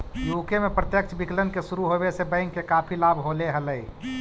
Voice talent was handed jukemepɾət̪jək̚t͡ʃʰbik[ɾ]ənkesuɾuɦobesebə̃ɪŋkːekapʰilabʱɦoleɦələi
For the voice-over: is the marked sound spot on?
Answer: no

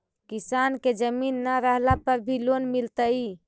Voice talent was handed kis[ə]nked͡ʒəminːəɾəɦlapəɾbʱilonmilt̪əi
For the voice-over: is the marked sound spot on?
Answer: no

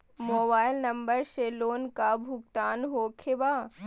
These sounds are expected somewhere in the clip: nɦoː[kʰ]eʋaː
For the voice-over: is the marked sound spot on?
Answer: yes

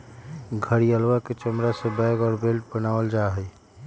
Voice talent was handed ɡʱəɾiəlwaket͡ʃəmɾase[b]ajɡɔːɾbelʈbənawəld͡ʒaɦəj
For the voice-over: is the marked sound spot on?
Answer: yes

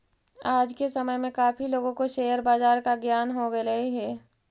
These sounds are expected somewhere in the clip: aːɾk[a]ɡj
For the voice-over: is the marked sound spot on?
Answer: yes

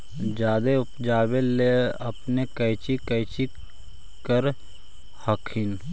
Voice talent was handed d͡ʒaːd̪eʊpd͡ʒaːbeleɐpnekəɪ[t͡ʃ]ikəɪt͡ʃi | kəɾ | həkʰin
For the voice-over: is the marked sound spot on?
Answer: yes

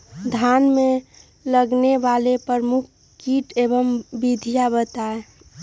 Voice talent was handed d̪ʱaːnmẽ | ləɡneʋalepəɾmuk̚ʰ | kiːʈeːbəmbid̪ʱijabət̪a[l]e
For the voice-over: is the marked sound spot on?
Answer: no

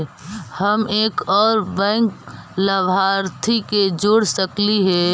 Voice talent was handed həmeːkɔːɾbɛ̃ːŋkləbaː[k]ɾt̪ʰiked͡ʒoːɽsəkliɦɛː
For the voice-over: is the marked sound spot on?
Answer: no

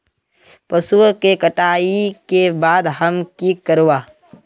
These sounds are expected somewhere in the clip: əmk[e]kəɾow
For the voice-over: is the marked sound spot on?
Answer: no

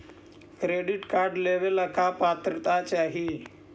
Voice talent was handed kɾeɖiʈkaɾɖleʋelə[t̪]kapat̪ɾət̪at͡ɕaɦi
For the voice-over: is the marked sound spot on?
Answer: no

